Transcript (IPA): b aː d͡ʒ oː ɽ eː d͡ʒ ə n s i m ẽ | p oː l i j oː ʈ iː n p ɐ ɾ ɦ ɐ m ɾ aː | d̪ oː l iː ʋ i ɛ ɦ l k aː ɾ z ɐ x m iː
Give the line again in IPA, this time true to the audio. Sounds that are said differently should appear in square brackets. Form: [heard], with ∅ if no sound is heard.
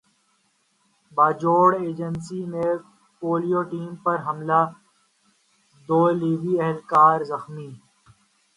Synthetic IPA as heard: b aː d͡ʒ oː ɽ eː d͡ʒ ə n s i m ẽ | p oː l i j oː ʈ iː [m] p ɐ ɾ ɦ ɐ m [l] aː | d̪ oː l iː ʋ i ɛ ɦ l k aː ɾ z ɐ x m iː